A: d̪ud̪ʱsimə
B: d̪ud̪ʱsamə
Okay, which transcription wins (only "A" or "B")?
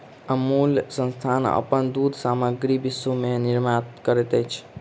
B